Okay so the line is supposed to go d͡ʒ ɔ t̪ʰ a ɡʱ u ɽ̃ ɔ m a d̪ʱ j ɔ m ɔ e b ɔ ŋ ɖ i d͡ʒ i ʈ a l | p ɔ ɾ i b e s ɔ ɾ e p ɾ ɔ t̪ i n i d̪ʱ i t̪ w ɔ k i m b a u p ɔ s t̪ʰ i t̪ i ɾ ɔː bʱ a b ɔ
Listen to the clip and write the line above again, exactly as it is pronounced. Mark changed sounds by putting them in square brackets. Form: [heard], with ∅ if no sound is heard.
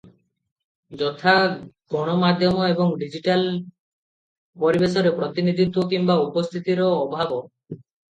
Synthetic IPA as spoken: d͡ʒ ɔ t̪ʰ a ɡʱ [ɔ] ɽ̃ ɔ m a d̪ʱ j ɔ m ɔ e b ɔ ŋ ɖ i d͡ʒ i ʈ a l | p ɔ ɾ i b e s ɔ ɾ e p ɾ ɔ t̪ i n i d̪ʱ i t̪ w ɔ k i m b a u p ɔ s t̪ʰ i t̪ i ɾ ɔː bʱ a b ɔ